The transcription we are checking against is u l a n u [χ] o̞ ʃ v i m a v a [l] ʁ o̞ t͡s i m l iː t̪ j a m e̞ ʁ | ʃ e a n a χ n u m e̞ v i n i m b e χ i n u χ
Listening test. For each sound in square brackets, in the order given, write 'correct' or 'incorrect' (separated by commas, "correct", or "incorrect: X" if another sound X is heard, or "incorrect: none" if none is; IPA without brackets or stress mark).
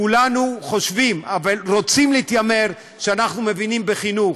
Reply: correct, correct